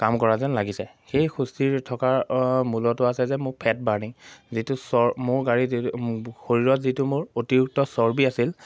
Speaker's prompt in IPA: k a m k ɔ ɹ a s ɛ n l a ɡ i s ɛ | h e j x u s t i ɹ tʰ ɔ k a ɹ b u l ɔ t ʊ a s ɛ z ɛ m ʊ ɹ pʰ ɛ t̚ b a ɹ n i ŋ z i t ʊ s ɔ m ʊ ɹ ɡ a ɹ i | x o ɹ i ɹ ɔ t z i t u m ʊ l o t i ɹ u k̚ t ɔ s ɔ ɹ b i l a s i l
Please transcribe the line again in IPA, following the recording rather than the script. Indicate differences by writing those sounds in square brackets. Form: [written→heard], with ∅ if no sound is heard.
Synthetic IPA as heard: k a m k ɔ ɹ a [s→z] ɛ n l a ɡ i s ɛ | [h→x] e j x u s t i ɹ tʰ ɔ k a ɹ [b→m] u l ɔ t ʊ a s ɛ z ɛ m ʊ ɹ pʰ ɛ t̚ b a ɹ n i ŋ z i t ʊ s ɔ m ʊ ɹ ɡ a ɹ i | x o ɹ i ɹ ɔ t z i t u m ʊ [l→ɹ] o t i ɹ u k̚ t ɔ s ɔ ɹ b i [l→∅] a s i l

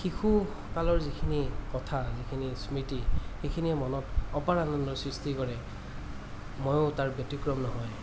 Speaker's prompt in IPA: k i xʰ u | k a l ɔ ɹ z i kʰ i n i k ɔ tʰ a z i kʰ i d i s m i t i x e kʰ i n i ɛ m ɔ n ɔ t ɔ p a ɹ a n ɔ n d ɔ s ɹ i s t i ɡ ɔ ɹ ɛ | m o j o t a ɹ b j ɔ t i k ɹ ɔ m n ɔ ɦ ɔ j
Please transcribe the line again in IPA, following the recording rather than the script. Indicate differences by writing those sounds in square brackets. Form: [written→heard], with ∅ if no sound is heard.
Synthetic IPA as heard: [k→x] i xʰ u | k a l ɔ ɹ z i kʰ i n i k ɔ tʰ a z i kʰ i [d→n] i s m i t i x e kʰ i n i ɛ m ɔ n ɔ t ɔ p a ɹ a n ɔ n d ɔ s ɹ i s t i [ɡ→k] ɔ ɹ ɛ | m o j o t a ɹ b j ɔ t i k ɹ ɔ m n ɔ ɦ ɔ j

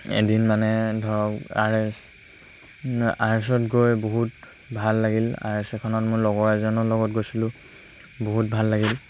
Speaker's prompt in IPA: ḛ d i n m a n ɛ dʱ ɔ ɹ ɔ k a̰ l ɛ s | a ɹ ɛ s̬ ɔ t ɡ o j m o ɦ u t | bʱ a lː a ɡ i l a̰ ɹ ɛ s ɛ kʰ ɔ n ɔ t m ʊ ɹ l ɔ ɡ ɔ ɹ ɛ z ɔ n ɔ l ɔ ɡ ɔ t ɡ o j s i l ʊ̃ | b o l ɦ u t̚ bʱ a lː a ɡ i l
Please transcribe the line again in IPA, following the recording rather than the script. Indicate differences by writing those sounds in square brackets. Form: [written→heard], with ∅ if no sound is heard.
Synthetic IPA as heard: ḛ d i n m a n ɛ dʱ ɔ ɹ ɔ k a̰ [l→ɹ] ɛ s | a ɹ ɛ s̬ ɔ t ɡ o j [m→b] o ɦ u t | bʱ a lː a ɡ i l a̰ ɹ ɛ s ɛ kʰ ɔ n ɔ t m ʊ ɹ l ɔ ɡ ɔ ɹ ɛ z ɔ n ɔ l ɔ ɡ ɔ t ɡ o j s i l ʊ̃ | b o [l→∅] ɦ u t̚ bʱ a lː a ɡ i l

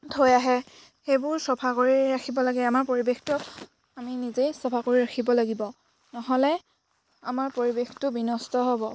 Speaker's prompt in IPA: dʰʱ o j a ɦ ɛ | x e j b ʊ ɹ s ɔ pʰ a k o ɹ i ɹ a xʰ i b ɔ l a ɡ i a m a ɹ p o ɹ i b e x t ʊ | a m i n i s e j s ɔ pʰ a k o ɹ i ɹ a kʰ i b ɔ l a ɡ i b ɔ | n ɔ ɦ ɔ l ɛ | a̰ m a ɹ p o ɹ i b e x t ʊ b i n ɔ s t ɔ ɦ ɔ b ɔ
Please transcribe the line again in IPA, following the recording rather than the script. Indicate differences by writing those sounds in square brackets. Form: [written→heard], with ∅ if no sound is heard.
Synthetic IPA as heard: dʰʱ o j a ɦ ɛ | x e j b ʊ ɹ s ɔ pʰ a k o ɹ i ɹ a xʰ i b ɔ l a ɡ [i→ɛ] a m a ɹ p o ɹ i b e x t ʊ | a m i n i [s→z] e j s ɔ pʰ a k o ɹ i ɹ a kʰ i b ɔ l a ɡ i b ɔ | n ɔ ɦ ɔ l ɛ | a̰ m a ɹ p o ɹ i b e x t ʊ b i n ɔ s t ɔ ɦ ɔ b ɔ

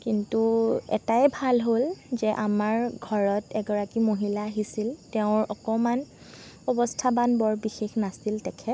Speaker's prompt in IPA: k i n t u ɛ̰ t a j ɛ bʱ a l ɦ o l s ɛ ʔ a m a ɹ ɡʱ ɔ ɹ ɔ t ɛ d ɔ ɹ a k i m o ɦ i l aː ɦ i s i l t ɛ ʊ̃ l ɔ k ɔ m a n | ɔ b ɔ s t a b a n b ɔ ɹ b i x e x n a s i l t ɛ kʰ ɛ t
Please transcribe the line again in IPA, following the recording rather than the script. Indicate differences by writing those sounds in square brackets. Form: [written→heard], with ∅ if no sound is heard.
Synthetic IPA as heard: k i n t u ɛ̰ t a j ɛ bʱ a l ɦ o l [s→z] ɛ ʔ a m a ɹ ɡʱ ɔ ɹ ɔ t ɛ [d→ɡ] ɔ ɹ a k i m o ɦ i l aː ɦ i s i l t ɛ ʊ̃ [l→ɹ] ɔ k ɔ m a n | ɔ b ɔ s [t→tʰ] a b a n b ɔ ɹ b i x e x n a s i l t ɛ kʰ ɛ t

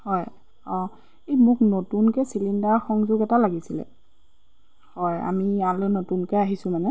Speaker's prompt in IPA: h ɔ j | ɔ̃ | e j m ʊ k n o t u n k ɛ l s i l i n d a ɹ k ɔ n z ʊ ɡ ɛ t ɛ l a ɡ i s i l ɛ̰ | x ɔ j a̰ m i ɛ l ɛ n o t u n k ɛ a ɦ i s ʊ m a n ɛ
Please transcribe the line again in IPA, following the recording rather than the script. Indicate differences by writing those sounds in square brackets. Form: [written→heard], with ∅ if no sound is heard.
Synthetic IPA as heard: h ɔ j | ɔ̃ | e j m ʊ k n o t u n k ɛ [l→∅] s i l i n d a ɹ [k→x] ɔ [n→ŋ] z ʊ ɡ ɛ t [ɛ→a] l a ɡ i s i l ɛ̰ | [x→h] ɔ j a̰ m i [ɛ→a] l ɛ n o t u n k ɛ a ɦ i s ʊ m a n ɛ

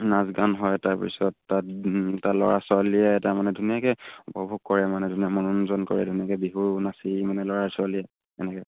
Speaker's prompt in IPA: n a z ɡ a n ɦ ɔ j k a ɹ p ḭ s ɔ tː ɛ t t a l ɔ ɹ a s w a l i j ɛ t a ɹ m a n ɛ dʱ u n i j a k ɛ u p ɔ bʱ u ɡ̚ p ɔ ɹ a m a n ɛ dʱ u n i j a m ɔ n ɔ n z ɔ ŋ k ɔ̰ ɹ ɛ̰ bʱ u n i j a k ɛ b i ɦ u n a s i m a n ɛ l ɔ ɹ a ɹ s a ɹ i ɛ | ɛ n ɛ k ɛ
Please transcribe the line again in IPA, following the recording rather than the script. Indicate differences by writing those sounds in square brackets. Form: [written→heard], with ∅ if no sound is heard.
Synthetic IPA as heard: n a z ɡ a n ɦ ɔ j [k→t] a ɹ p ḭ s ɔ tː [ɛ→a] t t a l ɔ ɹ a s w a l i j ɛ t a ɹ m a n ɛ dʱ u n i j a k ɛ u p ɔ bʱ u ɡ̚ [p→k] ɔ ɹ [a→ɛ] m a n ɛ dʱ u n i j a m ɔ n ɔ n z ɔ [ŋ→n] k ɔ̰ ɹ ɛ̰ [bʱ→dʱ] u n i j a k ɛ b i ɦ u n a s i m a n ɛ l ɔ ɹ a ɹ s a [ɹ→l] i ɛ | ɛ n ɛ k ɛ

